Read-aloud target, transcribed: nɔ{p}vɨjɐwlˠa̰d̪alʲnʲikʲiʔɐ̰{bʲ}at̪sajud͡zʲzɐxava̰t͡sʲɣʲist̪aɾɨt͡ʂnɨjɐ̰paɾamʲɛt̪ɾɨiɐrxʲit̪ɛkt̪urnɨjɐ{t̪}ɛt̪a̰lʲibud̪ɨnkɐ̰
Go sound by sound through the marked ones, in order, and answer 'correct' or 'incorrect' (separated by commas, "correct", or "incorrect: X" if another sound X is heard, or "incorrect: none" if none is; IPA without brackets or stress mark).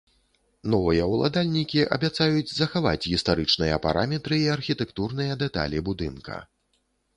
incorrect: none, correct, incorrect: d̪